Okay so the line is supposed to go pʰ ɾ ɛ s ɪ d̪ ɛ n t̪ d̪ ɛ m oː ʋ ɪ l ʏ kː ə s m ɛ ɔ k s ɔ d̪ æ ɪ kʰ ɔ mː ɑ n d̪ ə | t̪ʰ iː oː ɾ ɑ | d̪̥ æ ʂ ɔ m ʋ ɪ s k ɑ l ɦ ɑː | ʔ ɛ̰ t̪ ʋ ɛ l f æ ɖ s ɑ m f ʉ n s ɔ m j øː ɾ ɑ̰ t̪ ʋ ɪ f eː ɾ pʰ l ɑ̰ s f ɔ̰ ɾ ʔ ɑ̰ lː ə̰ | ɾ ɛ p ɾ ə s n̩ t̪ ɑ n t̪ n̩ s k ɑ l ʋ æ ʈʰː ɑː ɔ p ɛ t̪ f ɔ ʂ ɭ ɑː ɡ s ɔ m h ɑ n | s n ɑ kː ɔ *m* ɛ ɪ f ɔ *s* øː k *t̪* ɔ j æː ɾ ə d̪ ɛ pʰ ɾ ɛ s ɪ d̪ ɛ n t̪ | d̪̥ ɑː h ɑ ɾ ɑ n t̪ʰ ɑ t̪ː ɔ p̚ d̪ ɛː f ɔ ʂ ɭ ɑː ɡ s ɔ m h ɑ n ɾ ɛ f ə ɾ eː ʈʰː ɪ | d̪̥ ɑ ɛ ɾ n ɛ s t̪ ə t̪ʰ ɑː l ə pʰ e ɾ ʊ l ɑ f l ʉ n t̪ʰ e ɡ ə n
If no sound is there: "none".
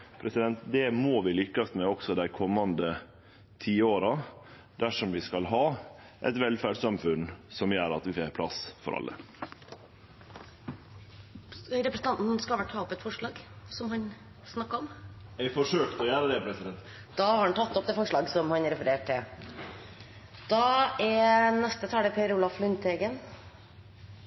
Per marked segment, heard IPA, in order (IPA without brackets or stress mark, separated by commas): m, ʂ, t̪